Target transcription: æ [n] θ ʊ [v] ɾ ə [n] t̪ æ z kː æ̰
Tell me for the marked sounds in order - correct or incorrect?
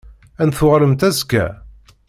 correct, incorrect: ʁ, incorrect: m

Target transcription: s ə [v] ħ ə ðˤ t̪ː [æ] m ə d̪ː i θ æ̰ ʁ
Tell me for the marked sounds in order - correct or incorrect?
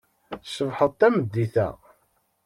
correct, correct

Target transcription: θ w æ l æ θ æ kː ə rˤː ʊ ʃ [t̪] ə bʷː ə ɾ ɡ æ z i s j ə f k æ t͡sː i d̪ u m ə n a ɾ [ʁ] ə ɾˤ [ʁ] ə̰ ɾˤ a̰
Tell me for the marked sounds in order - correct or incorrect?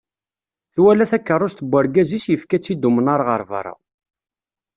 correct, correct, incorrect: v

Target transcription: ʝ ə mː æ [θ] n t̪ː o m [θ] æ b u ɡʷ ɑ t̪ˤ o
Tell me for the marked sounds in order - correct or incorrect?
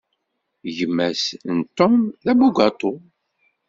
incorrect: s, incorrect: ð

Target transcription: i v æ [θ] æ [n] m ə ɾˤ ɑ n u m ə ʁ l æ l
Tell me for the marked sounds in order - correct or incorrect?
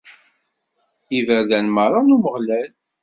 incorrect: ð, correct

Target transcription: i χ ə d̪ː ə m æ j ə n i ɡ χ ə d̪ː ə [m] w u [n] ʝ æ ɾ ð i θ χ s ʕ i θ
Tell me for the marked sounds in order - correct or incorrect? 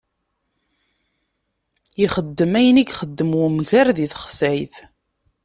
correct, incorrect: m

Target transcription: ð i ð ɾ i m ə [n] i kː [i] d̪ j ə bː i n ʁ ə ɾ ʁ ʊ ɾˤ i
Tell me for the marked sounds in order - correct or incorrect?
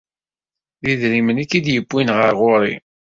correct, correct

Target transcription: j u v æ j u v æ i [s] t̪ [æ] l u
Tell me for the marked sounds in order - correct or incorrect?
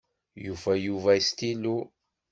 correct, incorrect: i

